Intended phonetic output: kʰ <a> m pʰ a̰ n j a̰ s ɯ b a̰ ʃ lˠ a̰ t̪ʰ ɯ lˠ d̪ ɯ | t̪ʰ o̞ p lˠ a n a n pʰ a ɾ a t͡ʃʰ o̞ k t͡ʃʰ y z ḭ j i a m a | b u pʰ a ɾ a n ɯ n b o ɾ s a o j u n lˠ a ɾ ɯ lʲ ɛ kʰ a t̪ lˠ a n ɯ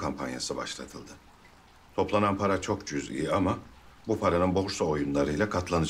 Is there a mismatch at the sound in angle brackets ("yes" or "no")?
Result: no